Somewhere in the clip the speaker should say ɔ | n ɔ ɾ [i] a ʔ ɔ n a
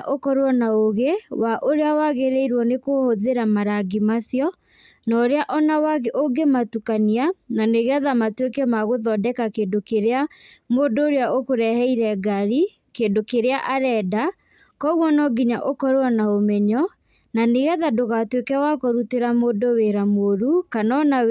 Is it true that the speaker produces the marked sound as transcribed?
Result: no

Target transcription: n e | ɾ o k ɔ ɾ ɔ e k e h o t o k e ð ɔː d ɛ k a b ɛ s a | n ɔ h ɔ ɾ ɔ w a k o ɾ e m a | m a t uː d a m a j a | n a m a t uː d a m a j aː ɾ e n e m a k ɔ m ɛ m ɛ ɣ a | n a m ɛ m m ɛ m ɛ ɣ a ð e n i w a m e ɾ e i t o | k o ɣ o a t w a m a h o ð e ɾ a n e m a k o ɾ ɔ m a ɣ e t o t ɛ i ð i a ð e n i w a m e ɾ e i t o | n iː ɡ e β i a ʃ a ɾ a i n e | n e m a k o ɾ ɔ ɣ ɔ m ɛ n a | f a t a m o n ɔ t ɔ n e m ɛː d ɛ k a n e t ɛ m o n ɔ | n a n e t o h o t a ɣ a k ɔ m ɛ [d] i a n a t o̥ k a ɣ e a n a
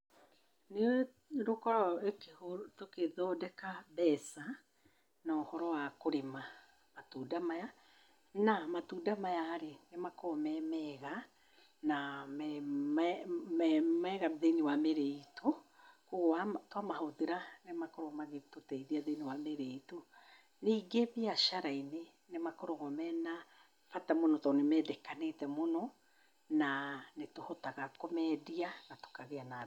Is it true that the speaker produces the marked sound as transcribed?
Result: yes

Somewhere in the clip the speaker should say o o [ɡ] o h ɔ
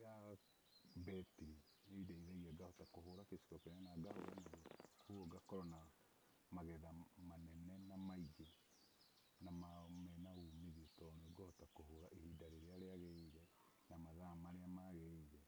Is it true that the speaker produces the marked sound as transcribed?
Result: yes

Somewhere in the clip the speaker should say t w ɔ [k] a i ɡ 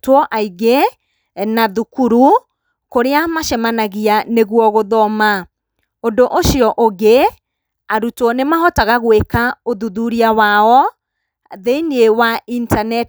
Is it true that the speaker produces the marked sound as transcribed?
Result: no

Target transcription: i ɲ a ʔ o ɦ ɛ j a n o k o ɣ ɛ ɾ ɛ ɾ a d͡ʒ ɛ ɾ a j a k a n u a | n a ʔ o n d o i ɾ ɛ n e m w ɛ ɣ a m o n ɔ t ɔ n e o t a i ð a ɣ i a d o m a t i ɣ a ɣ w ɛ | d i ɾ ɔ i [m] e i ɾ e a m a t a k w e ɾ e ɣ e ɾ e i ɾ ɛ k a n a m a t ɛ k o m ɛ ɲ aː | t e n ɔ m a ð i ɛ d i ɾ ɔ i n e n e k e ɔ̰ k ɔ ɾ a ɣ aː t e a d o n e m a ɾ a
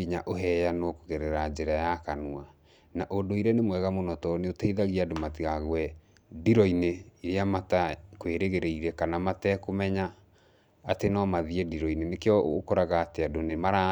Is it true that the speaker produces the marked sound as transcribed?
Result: no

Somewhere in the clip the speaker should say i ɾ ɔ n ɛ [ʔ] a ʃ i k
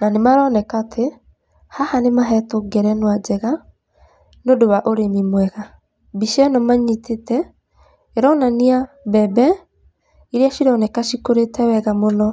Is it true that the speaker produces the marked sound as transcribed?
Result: no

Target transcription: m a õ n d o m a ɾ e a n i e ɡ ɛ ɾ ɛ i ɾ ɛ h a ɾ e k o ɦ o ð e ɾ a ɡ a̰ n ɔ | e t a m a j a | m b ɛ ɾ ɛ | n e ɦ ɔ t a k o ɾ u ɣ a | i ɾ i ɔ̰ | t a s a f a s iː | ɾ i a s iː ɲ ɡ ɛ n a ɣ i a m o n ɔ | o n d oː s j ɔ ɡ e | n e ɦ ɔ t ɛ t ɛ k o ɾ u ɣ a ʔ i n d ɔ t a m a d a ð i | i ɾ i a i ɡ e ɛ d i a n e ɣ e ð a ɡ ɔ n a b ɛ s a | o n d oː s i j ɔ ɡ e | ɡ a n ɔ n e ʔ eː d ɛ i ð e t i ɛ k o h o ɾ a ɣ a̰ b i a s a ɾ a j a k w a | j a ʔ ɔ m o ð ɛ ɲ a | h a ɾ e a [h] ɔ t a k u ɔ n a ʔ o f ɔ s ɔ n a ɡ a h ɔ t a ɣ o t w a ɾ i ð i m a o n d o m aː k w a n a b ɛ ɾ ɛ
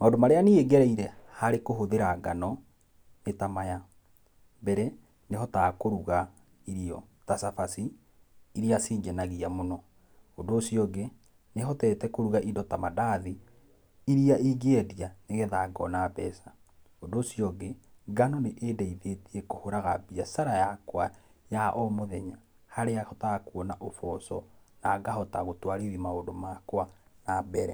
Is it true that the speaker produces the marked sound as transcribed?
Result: yes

